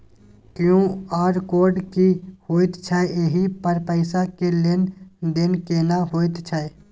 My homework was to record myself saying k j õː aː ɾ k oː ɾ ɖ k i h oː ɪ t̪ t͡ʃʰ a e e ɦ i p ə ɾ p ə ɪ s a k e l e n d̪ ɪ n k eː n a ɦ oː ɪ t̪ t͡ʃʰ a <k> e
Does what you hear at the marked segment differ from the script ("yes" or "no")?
yes